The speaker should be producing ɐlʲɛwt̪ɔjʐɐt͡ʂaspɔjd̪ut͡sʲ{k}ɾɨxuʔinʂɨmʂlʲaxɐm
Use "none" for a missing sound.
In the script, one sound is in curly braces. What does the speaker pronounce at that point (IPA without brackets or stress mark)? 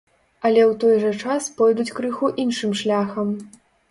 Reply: k